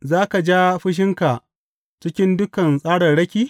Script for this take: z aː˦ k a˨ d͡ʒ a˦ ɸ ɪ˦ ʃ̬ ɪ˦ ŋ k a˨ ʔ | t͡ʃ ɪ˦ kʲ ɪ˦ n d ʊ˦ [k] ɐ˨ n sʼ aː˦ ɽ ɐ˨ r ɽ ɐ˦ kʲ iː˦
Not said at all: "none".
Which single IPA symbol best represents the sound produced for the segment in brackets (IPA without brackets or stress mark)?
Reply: k